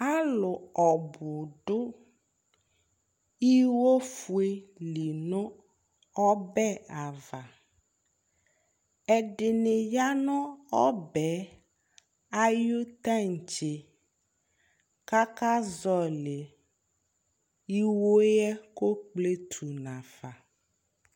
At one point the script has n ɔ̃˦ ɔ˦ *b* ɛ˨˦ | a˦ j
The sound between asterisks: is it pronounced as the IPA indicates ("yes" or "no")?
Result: yes